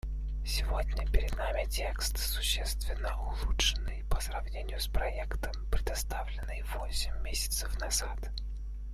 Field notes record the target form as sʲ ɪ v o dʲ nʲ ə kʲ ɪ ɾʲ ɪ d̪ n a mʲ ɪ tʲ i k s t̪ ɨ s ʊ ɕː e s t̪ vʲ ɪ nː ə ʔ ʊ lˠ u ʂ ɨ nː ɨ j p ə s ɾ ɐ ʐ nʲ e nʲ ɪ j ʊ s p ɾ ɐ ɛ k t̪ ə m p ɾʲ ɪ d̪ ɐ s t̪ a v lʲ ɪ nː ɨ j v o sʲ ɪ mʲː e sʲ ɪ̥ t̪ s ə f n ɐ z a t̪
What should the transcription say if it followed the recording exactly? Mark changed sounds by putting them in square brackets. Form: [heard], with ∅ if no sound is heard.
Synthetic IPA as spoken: sʲ ɪ v o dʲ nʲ ə [pʲ] ɪ ɾʲ ɪ d̪ n a mʲ ɪ tʲ [e] k s t̪ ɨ s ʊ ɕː e s t̪ vʲ ɪ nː ə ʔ ʊ lˠ u ʂ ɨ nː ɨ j p ə s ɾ ɐ [v] nʲ e nʲ ɪ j ʊ s p ɾ ɐ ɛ k t̪ ə m p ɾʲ ɪ d̪ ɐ s t̪ a v lʲ ɪ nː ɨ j v o sʲ ɪ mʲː e sʲ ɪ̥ t̪ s ə f n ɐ z a t̪